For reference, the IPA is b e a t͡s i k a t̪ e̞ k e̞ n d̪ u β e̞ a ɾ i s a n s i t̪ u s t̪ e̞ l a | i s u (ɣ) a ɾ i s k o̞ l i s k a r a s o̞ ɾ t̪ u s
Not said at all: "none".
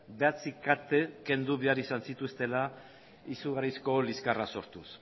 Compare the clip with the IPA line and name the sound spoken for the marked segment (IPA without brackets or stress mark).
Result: ɣ